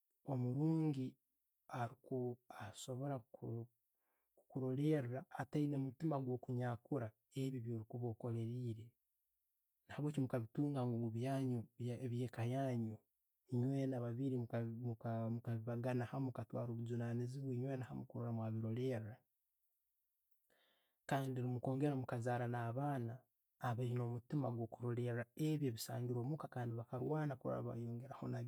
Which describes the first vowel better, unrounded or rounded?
rounded